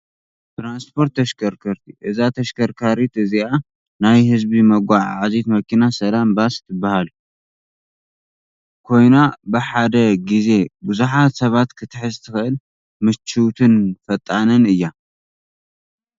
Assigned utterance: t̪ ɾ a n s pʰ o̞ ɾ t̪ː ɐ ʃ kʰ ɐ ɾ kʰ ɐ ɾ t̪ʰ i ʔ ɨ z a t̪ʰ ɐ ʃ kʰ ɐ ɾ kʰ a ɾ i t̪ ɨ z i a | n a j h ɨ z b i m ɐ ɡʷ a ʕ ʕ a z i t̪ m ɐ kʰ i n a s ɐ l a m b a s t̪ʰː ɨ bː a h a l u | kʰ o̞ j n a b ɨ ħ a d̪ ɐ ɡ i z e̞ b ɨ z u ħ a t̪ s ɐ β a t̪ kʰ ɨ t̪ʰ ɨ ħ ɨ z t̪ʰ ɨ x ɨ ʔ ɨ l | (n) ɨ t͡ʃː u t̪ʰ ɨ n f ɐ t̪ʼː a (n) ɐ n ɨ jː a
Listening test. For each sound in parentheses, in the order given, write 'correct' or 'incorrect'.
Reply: incorrect: m, correct

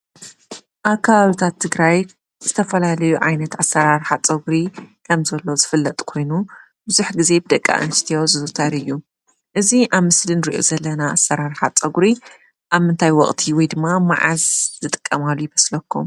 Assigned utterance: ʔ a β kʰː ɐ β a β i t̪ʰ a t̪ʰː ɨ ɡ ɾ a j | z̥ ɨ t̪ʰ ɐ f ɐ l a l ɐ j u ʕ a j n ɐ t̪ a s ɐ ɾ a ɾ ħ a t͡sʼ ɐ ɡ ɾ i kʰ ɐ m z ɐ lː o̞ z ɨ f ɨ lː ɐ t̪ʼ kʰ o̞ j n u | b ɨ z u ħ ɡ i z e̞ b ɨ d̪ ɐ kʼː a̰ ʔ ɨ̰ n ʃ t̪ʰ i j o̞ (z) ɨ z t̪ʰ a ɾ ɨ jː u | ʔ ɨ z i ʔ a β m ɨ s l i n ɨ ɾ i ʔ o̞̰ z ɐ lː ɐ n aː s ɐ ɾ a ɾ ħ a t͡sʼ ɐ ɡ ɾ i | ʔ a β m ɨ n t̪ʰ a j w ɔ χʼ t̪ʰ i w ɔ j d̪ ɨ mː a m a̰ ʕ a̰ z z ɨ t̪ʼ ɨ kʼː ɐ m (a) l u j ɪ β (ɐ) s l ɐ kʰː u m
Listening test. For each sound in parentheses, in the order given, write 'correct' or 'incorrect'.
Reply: correct, correct, correct

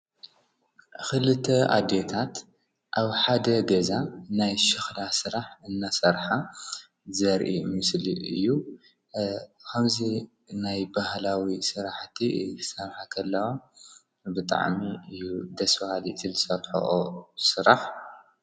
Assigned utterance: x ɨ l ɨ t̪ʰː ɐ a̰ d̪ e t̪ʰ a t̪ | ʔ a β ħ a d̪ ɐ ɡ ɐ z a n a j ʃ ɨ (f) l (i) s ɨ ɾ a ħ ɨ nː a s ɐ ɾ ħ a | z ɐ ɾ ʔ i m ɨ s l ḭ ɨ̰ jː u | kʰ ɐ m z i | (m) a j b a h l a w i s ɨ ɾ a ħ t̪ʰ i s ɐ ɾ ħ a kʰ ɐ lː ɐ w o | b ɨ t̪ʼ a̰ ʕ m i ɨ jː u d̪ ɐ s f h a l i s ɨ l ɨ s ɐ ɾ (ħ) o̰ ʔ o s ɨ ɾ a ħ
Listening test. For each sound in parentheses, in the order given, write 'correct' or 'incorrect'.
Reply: incorrect: x, incorrect: a, incorrect: n, correct

